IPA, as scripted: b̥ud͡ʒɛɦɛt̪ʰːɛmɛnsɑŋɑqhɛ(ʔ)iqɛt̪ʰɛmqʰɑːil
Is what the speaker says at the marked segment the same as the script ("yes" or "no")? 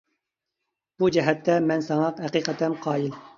no